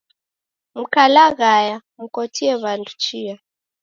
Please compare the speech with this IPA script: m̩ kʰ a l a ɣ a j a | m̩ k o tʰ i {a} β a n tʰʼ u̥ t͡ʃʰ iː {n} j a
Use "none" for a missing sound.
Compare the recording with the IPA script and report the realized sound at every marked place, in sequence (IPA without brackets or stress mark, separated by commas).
ɛ, none